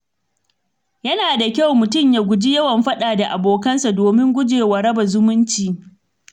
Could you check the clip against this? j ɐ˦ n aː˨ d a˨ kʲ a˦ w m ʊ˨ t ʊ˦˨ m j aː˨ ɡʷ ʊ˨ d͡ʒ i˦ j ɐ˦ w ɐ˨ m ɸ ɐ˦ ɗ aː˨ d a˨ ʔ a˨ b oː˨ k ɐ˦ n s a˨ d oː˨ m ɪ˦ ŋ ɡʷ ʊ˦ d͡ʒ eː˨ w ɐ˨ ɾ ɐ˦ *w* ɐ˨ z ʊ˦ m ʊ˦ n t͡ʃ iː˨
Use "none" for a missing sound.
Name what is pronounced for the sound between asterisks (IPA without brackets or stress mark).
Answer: b